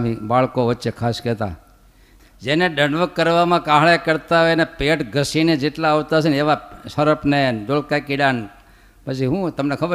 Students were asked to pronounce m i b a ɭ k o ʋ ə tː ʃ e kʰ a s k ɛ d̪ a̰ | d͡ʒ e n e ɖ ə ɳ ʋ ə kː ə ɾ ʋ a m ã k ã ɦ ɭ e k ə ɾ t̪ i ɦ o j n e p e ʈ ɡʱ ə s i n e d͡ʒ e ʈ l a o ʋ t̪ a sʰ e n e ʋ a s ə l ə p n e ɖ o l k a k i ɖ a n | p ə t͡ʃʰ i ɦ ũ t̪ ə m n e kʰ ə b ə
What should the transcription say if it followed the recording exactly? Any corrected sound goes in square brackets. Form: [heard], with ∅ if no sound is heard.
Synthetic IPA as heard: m i b a ɭ k o ʋ ə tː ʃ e kʰ a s k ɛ [t̪] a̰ | d͡ʒ e n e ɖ ə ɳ ʋ ə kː ə ɾ ʋ a m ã k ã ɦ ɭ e k ə ɾ t̪ [a] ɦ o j n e p e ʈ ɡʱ ə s i n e d͡ʒ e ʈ l a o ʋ t̪ a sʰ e n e ʋ a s ə [ɾ] ə p n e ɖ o l k a k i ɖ a n | p ə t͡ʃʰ i ɦ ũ t̪ ə m n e kʰ ə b ə